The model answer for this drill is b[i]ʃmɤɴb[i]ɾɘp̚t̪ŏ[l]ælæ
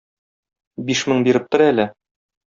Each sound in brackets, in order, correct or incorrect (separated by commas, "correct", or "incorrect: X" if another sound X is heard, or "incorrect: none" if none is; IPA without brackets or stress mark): correct, correct, incorrect: ɾ